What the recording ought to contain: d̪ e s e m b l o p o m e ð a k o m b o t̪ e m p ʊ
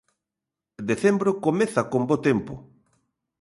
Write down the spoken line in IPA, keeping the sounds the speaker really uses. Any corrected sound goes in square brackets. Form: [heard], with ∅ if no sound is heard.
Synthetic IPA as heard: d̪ e [θ] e m b [ɾ] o [k] o m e [θ] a k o m b o t̪ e m p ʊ